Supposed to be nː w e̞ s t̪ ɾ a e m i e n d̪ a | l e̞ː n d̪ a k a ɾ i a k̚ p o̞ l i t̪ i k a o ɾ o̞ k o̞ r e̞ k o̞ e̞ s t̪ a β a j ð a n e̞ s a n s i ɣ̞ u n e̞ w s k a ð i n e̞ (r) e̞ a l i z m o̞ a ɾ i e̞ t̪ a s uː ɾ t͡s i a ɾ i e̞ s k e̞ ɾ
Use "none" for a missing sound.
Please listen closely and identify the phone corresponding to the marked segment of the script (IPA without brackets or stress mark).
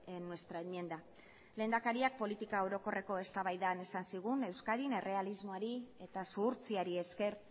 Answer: r